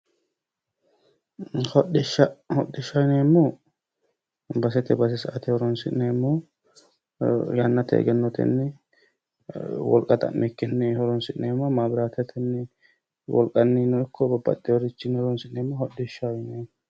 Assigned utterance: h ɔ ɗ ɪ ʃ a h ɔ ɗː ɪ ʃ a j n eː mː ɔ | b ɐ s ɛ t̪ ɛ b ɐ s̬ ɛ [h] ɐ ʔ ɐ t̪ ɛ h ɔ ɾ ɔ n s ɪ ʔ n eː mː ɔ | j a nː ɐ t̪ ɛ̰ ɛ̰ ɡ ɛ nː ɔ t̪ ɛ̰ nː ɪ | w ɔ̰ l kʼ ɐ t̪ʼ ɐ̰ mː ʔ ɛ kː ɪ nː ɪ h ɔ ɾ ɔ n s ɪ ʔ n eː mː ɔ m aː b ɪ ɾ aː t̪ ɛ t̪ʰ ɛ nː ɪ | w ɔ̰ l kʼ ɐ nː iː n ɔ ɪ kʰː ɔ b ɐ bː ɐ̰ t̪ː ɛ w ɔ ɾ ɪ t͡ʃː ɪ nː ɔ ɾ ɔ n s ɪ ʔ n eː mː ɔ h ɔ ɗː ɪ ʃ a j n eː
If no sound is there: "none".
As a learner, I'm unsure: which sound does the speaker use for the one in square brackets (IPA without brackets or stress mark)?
s